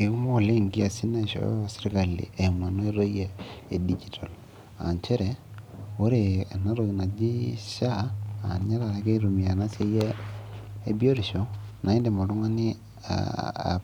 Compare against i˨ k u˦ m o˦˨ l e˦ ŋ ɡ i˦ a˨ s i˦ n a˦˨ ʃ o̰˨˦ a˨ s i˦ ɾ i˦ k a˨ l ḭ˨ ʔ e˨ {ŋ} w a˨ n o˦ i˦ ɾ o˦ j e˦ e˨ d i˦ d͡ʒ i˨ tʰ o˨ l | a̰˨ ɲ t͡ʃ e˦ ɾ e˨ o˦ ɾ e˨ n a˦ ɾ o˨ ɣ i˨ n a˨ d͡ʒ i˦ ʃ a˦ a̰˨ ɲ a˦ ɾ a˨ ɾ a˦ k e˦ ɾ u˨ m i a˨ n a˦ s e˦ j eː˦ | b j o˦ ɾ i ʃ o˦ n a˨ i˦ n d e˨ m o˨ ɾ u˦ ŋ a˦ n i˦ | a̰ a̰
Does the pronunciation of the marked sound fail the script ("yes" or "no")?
yes